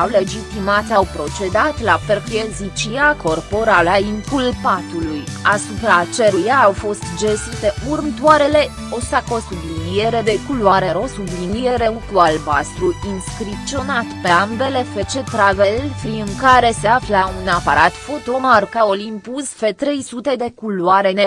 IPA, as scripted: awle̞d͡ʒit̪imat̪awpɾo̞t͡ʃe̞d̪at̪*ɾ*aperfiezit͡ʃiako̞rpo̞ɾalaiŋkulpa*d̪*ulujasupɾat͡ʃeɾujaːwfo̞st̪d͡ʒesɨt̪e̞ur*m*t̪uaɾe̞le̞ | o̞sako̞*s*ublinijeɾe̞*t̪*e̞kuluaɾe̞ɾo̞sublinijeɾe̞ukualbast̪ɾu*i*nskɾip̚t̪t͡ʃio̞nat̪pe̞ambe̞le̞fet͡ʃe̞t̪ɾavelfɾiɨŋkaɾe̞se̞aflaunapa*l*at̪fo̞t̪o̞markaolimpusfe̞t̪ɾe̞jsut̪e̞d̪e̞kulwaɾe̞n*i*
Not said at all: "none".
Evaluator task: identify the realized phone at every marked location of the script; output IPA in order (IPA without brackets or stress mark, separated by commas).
l, t̪, m, s, d̪, i, ɾ, e